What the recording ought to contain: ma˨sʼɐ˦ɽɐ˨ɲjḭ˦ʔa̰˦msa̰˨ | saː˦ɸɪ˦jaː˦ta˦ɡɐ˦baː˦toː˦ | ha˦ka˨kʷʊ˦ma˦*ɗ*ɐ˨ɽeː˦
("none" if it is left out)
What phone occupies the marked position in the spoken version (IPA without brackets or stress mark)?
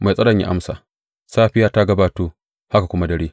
d